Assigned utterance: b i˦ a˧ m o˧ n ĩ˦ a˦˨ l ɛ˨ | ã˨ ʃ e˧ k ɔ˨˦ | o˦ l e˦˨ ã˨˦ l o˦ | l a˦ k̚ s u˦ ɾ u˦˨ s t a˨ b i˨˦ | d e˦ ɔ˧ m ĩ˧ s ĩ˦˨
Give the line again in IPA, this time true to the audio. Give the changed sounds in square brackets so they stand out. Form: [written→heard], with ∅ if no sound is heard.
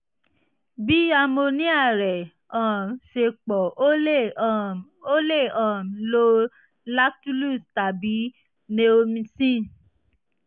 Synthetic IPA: b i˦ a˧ m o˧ n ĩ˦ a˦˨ [l→ɾ] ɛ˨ | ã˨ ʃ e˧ [k→k͡p] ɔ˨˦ | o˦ l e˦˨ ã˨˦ l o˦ | l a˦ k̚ [s→t] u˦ [ɾ→l] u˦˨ s t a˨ b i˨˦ | [d→n] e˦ [ɔ˧→o˧] m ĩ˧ s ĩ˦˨

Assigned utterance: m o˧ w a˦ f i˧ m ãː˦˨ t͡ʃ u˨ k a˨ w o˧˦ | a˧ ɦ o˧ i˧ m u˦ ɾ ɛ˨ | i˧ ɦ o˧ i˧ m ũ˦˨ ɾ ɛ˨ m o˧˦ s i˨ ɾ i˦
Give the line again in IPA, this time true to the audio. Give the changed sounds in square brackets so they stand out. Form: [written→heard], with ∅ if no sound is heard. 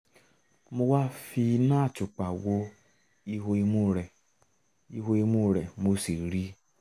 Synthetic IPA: m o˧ w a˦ f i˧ [m→n] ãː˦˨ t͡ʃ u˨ [k→k͡p] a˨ w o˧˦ | [a˧→i˧] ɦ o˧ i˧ m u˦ ɾ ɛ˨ | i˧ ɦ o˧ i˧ m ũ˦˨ ɾ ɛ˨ m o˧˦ s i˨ ɾ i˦

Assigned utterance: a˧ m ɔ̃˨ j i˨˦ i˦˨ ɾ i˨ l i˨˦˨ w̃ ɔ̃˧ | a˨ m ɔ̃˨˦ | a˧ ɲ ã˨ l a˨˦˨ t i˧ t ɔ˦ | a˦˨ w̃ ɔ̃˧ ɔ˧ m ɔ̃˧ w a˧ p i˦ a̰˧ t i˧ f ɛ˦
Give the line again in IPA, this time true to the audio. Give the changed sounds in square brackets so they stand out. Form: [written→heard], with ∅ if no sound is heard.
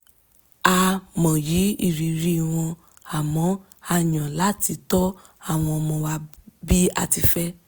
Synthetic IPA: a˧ m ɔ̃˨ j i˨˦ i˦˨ ɾ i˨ [l→ɾ] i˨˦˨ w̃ ɔ̃˧ | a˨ m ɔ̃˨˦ | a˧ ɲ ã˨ l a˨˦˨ t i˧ t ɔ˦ | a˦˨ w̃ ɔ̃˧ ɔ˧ m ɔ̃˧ w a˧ [p→b] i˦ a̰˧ t i˧ f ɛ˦

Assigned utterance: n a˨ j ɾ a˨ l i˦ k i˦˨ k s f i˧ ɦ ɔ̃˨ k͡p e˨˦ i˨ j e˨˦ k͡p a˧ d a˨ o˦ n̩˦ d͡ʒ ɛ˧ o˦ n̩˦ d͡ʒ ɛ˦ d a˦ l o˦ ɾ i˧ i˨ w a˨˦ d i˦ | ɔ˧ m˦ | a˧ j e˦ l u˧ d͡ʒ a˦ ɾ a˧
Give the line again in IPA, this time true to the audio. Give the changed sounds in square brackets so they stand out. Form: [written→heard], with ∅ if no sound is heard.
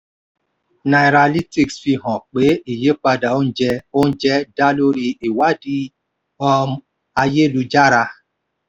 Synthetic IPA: n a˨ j ɾ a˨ l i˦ [k→t] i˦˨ k s f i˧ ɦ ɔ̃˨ k͡p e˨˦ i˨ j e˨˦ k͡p a˧ d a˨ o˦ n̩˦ d͡ʒ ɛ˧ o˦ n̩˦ d͡ʒ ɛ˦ d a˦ l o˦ ɾ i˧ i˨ w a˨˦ d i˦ | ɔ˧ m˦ | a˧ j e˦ l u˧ d͡ʒ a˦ ɾ a˧

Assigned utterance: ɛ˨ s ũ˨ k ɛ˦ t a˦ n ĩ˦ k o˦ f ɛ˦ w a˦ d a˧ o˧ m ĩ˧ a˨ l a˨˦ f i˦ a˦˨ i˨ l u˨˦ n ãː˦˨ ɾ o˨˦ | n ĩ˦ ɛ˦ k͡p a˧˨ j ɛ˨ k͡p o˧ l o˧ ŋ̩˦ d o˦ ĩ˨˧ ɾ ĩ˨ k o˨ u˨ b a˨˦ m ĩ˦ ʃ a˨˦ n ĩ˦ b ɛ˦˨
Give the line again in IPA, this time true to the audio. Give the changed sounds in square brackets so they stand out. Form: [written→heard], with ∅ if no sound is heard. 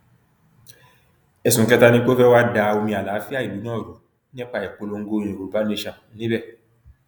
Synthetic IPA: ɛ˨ s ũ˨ k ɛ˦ t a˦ n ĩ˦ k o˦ f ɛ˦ w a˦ d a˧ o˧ m ĩ˧ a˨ l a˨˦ f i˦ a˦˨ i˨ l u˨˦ n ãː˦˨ ɾ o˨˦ | n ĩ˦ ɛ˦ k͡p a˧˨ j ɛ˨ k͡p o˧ l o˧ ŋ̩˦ [d→ɡ] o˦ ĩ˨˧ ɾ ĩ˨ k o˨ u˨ b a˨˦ [m→n] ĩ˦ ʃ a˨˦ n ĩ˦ b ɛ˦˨

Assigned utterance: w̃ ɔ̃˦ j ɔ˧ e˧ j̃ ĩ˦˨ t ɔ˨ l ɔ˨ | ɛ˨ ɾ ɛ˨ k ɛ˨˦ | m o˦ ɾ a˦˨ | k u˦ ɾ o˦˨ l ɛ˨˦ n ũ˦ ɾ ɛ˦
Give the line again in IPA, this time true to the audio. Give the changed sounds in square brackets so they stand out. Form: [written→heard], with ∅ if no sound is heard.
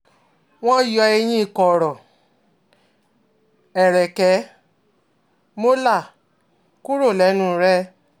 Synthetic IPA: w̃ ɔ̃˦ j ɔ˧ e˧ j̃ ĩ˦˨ [t→k] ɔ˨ [l→ɾ] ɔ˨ | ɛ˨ ɾ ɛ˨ k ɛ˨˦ | m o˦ [ɾ→l] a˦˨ | k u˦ ɾ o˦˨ l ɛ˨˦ n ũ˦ ɾ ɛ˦

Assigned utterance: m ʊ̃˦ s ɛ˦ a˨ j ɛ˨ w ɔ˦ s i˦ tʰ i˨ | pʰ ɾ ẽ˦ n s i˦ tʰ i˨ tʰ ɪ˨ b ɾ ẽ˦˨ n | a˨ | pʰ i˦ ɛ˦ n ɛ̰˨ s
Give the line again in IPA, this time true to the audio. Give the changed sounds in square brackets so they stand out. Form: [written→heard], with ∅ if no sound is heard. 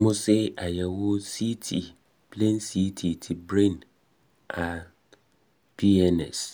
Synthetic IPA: m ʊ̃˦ s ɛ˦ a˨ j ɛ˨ w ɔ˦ s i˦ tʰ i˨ | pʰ [ɾ→l] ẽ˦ n s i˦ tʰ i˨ tʰ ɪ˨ b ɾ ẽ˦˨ n | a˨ | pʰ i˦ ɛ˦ n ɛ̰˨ s

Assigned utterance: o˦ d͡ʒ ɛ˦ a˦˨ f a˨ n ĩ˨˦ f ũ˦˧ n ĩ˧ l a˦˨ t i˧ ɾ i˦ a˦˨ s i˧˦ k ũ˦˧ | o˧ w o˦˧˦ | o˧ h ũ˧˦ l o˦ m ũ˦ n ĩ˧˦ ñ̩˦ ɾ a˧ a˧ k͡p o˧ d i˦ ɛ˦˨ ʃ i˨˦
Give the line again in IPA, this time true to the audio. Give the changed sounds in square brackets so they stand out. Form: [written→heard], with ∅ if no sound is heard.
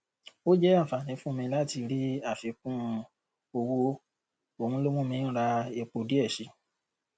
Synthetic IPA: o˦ d͡ʒ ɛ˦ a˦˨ f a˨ n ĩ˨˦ f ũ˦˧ [n→m] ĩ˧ l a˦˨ t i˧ ɾ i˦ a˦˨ [s→f] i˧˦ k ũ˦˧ | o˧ w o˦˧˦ | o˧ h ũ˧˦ l o˦ m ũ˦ [n→m] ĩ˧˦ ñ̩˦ ɾ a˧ [a˧→e˧] k͡p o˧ d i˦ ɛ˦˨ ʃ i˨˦

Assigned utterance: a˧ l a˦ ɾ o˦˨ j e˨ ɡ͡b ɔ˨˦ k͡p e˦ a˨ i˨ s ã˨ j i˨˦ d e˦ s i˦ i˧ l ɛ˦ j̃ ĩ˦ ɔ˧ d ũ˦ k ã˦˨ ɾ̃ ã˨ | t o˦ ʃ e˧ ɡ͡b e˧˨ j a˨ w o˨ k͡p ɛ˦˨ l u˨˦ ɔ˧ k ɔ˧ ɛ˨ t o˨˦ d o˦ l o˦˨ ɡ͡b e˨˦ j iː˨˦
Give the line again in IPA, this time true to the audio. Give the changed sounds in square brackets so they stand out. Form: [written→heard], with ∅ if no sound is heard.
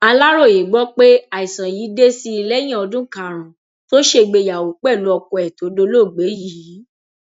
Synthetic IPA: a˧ l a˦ ɾ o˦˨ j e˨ ɡ͡b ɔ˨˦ k͡p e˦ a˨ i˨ s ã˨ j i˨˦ d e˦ s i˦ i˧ l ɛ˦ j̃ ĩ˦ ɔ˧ d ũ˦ k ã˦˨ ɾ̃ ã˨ | t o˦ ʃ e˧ ɡ͡b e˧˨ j a˨ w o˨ k͡p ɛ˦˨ l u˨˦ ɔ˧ k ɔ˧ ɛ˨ t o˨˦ d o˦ l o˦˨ ɡ͡b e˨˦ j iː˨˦

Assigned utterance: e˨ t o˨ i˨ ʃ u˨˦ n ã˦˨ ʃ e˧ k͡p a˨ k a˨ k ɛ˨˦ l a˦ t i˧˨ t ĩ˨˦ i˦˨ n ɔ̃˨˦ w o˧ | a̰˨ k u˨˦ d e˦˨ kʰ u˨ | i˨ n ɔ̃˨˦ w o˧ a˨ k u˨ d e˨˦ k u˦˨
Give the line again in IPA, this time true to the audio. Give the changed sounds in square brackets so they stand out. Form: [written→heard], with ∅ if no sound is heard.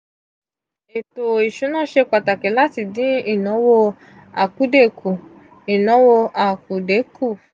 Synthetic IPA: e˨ t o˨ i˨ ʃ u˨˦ n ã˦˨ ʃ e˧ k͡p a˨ [k→t] a˨ k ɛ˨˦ l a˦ t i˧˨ [t→d] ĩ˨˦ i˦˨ n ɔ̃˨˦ w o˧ | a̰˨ k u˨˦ d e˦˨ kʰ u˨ | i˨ n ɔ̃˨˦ w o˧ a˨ k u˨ d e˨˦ k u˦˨

